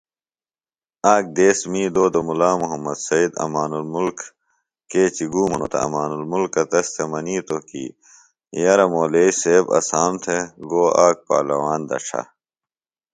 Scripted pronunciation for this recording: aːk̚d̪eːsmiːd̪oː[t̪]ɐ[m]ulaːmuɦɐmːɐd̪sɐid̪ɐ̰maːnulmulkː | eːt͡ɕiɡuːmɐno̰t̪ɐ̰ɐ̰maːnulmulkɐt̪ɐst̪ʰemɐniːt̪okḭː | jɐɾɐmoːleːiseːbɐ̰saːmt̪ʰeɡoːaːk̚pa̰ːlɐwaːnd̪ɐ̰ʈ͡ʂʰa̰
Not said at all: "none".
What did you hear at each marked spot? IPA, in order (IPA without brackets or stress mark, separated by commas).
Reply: d̪, m